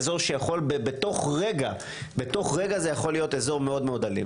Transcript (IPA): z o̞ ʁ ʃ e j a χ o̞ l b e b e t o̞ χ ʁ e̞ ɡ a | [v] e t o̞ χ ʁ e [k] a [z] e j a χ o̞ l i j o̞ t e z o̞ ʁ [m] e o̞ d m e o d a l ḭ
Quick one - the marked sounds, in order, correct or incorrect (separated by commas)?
incorrect, incorrect, correct, correct